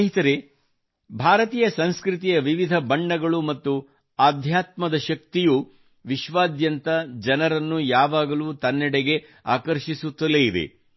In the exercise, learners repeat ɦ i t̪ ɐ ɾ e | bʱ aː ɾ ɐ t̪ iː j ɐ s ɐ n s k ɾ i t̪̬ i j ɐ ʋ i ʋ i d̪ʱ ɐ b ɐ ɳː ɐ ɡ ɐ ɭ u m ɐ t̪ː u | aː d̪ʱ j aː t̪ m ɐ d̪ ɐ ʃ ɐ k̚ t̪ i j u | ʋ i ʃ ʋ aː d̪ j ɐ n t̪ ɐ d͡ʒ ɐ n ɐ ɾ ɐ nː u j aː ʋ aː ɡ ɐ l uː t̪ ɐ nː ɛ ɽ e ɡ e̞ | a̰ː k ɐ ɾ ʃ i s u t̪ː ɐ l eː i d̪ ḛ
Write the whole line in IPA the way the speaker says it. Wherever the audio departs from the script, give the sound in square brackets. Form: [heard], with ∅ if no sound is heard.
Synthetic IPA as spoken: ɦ i t̪ ɐ ɾ e | bʱ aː ɾ ɐ t̪ iː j ɐ s ɐ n s k ɾ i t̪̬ i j ɐ ʋ i ʋ i d̪ʱ ɐ b ɐ ɳː ɐ ɡ ɐ ɭ u m ɐ t̪ː u | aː d̪ʱ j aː t̪ m ɐ d̪ ɐ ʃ ɐ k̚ t̪ i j u | ʋ i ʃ ʋ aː d̪ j ɐ n t̪ ɐ d͡ʒ ɐ n ɐ ɾ ɐ nː u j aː ʋ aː ɡ ɐ l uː t̪ ɐ nː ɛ ɽ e ɡ e̞ | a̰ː k ɐ ɾ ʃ i s u t̪ː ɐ l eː i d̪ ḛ